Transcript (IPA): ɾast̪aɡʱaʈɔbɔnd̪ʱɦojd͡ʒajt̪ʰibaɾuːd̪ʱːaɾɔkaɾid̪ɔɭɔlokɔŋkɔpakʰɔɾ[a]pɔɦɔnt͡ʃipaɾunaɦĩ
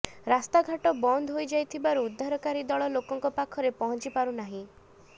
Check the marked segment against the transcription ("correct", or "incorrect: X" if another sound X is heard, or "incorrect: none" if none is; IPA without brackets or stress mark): incorrect: e